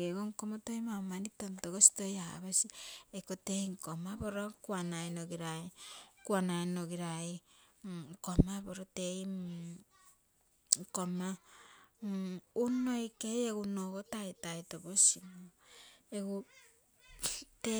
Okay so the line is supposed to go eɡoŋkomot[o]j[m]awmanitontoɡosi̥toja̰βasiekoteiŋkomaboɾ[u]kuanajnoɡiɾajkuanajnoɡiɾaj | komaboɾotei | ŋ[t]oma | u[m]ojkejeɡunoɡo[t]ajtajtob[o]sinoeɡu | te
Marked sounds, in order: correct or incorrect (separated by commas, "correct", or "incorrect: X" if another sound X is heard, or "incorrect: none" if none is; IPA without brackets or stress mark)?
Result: correct, correct, incorrect: o, incorrect: k, incorrect: n, correct, correct